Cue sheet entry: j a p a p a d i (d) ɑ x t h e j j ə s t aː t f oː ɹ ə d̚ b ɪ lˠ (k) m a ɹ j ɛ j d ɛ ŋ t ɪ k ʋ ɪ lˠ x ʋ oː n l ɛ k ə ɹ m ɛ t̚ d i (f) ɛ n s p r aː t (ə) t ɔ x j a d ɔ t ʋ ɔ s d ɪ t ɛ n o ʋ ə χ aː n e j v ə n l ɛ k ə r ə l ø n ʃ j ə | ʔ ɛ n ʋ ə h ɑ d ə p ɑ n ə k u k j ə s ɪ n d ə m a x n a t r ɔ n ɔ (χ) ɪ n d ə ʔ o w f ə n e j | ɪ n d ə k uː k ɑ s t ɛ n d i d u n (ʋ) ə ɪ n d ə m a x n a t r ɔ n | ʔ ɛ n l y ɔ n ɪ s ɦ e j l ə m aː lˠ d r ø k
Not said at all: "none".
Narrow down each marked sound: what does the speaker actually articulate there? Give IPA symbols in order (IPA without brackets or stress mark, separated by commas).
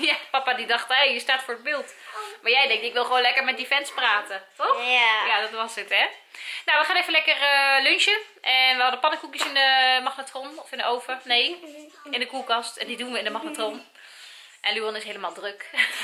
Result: d, t, f, ə, f, ʋ